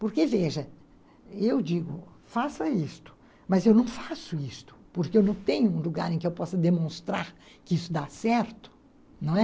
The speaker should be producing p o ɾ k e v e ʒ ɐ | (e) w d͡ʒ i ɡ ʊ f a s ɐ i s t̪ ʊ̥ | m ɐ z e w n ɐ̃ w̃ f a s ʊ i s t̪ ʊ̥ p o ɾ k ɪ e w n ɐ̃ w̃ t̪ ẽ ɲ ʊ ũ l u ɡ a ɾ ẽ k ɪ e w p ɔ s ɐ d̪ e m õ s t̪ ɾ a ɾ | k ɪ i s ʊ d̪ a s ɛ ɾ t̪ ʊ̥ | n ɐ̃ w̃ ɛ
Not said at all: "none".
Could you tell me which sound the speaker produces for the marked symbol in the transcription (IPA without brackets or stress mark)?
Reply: e